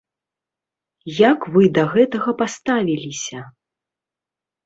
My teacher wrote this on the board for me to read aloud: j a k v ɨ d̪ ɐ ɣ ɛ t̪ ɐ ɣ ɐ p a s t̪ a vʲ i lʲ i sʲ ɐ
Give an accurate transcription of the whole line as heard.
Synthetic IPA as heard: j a k v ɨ d̪ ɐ ɣ ɛ t̪ ɐ ɣ ɐ p a s t̪ a vʲ i lʲ i sʲ ɐ

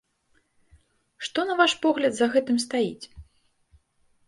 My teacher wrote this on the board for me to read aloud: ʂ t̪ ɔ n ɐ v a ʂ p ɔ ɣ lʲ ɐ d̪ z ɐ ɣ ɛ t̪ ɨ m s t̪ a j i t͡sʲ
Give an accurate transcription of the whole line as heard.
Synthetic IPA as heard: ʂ t̪ ɔ n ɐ v a ʂ p ɔ ɣ lʲ ɐ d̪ z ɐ ɣ ɛ t̪ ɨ m s t̪ a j i t͡sʲ

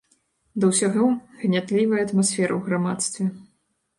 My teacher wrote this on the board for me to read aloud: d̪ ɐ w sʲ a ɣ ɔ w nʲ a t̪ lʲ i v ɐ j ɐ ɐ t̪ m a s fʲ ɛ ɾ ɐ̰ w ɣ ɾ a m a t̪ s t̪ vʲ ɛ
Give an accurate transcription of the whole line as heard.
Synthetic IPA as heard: d̪ ɐ w sʲ a ɣ ɔ ɣ nʲ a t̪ lʲ i v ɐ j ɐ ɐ t̪ m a s fʲ ɛ ɾ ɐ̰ w ɣ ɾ a m a t̪ s t̪ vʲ ɛ

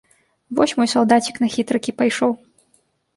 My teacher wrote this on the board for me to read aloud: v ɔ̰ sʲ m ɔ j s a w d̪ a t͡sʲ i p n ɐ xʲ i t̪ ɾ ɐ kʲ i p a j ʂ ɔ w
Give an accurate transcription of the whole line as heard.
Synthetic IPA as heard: v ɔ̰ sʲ m ɔ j s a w d̪ a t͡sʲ i k n ɐ xʲ i t̪ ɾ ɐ kʲ i p a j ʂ ɔ w

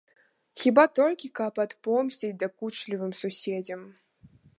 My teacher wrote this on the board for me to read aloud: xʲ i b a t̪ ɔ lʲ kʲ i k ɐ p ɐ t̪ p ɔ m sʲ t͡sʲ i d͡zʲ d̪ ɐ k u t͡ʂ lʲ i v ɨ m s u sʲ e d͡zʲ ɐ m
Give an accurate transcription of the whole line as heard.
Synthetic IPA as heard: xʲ i b a t̪ ɔ lʲ kʲ i k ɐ p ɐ t̪ p ɔ m sʲ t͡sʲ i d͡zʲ d̪ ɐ k u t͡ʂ lʲ i v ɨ m s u sʲ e d͡zʲ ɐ m

